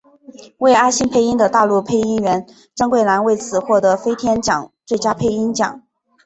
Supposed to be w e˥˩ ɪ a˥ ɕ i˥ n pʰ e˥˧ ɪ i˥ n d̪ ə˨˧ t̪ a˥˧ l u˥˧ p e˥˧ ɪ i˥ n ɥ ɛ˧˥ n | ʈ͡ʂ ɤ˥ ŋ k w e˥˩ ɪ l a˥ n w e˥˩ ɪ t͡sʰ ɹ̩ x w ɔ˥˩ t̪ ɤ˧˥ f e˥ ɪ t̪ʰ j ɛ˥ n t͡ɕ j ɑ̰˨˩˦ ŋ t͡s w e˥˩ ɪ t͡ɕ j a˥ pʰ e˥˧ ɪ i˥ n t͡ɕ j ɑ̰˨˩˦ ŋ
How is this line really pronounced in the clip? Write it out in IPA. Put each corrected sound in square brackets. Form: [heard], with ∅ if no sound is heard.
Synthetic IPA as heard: w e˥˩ ɪ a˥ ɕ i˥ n pʰ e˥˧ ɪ i˥ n d̪ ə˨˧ t̪ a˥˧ l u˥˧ [pʰ] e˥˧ ɪ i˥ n ɥ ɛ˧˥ n | ʈ͡ʂ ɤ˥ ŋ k w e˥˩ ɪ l [a˧˥] n w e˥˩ ɪ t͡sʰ ɹ̩ x w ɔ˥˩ t̪ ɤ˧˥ f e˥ ɪ t̪ʰ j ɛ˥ n t͡ɕ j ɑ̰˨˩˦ ŋ t͡s w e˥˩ ɪ t͡ɕ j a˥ pʰ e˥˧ ɪ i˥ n t͡ɕ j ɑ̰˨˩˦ ŋ